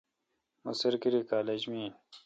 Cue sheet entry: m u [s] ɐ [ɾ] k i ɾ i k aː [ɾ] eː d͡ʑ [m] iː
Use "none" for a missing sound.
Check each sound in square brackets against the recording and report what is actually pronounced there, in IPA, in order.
s, ɾ, l, m

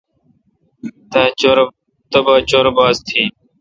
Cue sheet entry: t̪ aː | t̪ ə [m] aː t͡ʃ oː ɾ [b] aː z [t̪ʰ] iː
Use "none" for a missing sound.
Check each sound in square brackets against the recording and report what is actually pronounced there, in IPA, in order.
b, b, t̪ʰ

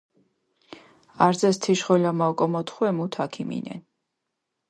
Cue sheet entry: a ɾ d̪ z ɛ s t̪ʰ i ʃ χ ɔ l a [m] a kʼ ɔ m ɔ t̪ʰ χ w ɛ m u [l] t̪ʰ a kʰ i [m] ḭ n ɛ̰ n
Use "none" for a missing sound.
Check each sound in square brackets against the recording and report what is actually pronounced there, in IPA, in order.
m, none, m

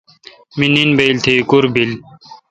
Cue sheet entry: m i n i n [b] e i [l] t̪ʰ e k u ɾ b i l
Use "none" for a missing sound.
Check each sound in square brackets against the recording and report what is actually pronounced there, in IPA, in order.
b, l

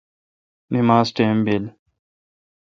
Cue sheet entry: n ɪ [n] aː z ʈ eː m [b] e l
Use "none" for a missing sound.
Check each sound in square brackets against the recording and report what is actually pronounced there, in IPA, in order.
m, b

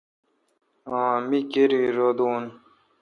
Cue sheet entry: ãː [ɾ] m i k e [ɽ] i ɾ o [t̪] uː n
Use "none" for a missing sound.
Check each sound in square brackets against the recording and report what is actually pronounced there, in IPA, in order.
none, ɾ, d̪

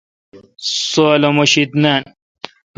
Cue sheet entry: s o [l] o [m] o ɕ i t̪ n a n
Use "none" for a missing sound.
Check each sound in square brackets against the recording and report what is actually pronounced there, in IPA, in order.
l, m

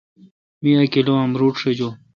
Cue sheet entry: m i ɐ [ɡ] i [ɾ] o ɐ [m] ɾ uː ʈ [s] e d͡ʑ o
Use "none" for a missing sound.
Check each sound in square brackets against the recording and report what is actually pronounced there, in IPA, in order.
k, l, m, ʂ

